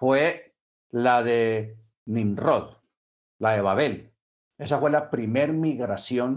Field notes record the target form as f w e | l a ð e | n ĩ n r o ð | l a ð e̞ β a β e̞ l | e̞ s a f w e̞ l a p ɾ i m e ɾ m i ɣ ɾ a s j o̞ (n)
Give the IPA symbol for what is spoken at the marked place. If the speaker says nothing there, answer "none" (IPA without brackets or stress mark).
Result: n